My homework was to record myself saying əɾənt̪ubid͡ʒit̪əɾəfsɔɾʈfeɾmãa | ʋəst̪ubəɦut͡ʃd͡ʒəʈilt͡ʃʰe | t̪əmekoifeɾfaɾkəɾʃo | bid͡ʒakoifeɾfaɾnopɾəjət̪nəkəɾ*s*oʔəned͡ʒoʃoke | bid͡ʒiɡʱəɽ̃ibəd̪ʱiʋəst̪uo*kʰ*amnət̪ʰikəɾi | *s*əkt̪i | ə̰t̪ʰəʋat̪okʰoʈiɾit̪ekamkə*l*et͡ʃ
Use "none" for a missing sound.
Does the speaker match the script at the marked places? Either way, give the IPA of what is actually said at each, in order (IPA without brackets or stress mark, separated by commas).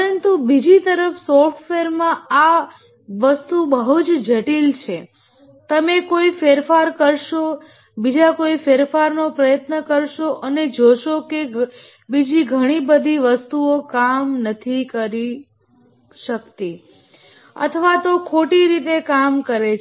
ʃ, k, ʃ, ɾ